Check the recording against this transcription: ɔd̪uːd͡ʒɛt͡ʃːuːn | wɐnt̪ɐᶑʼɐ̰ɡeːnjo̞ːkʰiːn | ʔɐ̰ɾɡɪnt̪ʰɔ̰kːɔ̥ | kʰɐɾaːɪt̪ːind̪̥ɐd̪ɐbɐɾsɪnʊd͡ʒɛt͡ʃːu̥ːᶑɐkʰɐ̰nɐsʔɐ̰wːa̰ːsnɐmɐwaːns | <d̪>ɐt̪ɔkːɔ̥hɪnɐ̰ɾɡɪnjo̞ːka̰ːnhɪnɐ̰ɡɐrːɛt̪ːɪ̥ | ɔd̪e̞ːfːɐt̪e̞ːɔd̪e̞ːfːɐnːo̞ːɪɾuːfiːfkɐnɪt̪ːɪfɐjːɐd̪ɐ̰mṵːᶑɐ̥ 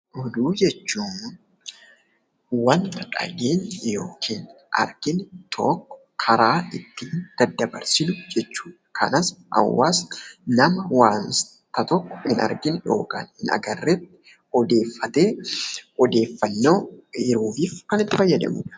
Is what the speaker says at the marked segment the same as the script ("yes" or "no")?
no